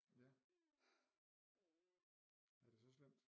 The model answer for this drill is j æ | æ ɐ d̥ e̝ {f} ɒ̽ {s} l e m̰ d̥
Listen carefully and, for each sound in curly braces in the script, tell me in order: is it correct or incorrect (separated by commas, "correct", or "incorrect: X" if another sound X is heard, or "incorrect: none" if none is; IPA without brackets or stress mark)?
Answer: incorrect: s, correct